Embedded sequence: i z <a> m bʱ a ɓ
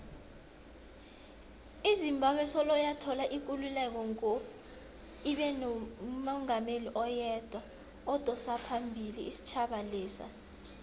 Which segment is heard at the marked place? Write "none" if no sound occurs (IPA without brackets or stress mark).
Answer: i